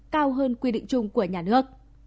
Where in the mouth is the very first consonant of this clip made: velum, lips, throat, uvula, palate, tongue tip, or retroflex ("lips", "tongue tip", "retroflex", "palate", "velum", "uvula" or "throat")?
velum